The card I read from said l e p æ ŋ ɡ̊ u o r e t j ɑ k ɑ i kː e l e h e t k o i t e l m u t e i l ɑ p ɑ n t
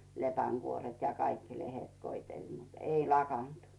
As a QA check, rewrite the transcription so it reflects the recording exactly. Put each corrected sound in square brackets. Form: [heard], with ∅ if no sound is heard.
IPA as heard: l e p æ ŋ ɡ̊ u o r e t j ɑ k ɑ i kː [i] l e h e t k o i t e l m u t e i l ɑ [k] ɑ n t